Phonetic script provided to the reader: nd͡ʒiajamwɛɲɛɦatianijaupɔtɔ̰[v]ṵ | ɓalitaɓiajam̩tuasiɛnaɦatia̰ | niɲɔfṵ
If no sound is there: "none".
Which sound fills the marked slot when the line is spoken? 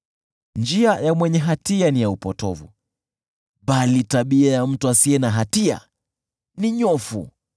v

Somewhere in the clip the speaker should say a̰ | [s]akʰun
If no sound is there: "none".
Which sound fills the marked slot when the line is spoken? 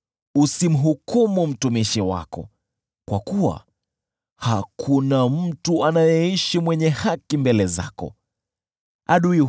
h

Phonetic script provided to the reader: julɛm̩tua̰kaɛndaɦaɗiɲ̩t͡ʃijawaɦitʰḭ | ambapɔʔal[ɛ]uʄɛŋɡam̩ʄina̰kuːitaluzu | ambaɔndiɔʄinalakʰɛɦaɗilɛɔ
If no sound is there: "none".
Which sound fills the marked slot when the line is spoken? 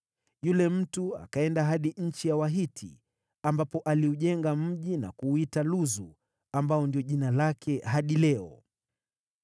i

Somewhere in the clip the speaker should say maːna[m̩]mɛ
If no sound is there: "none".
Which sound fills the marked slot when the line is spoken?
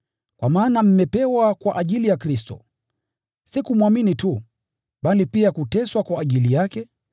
m̩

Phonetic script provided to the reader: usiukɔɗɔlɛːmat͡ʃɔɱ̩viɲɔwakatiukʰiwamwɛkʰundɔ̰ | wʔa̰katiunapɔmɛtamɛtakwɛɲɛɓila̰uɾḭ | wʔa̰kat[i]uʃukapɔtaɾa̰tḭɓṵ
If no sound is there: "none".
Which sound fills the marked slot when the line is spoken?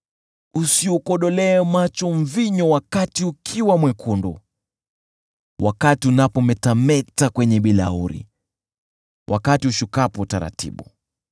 i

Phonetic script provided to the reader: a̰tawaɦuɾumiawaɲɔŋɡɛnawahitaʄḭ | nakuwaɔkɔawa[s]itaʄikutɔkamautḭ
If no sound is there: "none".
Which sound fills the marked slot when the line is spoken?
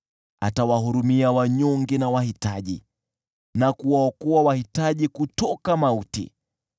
h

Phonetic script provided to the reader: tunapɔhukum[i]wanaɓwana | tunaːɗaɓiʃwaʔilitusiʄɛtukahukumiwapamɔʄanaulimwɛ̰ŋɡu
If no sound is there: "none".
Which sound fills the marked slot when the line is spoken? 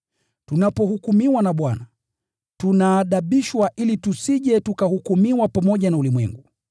i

